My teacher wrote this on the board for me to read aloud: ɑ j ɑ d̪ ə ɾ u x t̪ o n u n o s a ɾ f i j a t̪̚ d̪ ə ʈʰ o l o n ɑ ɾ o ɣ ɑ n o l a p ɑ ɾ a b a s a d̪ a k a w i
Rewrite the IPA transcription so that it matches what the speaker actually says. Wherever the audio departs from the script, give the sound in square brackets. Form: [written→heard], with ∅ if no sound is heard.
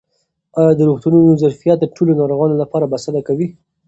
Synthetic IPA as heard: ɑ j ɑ d̪ ə ɾ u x t̪ [o→u] n u n o [s→z] a ɾ f i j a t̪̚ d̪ ə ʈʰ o l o n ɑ ɾ o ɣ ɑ n o l a p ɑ ɾ a b a s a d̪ a k a w i